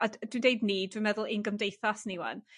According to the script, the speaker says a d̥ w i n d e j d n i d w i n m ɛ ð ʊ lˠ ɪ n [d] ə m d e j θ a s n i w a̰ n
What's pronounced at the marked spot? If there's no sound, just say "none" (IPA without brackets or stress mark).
ɡ